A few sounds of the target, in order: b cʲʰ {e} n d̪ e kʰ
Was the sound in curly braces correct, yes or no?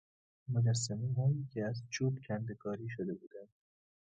no